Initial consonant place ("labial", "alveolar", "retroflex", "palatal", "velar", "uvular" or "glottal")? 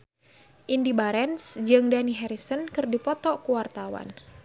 glottal